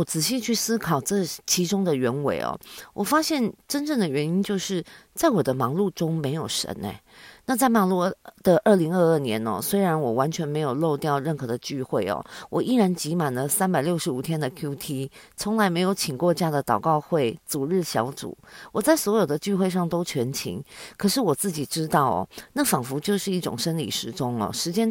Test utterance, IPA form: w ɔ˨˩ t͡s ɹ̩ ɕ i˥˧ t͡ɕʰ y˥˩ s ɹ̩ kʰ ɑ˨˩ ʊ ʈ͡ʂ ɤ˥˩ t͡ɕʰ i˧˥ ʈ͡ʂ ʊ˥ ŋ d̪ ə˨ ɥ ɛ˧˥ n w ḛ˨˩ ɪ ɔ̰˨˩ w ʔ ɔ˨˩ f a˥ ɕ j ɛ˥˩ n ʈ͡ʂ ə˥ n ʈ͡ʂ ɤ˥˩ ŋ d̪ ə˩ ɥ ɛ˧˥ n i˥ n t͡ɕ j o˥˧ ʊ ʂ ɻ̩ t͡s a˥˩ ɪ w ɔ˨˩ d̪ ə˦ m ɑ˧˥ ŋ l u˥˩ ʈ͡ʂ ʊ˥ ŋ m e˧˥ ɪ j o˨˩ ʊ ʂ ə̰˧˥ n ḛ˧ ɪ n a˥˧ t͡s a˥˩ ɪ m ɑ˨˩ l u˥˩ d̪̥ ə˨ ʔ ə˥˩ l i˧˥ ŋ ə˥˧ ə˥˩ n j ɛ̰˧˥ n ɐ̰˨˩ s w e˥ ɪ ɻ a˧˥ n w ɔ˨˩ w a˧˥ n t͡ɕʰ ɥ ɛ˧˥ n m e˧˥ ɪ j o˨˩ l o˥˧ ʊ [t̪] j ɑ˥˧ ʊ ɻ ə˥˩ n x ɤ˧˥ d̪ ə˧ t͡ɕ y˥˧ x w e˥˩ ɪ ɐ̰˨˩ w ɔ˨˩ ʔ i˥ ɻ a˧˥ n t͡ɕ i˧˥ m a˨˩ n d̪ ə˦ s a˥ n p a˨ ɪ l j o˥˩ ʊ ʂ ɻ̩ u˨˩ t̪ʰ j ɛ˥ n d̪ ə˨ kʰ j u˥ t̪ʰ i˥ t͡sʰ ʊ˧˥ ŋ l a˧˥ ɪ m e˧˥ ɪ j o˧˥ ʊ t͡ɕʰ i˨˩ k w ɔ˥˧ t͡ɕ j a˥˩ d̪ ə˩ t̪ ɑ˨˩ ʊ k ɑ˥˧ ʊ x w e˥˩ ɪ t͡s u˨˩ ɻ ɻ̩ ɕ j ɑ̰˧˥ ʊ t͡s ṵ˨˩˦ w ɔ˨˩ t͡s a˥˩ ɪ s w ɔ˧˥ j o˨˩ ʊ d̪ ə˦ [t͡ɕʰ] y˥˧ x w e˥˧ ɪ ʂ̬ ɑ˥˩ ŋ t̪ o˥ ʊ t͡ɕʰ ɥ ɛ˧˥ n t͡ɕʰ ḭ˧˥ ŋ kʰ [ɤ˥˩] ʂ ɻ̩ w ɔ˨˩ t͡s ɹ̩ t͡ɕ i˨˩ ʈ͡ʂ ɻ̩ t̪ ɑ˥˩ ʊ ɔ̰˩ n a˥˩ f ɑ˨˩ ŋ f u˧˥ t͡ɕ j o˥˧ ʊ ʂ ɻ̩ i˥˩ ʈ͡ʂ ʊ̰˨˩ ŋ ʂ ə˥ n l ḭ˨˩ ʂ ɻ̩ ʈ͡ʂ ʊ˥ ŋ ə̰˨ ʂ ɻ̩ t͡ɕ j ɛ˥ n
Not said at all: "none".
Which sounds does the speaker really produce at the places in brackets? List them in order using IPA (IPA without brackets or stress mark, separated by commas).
t̪, t͡ɕ, ɤ˨˩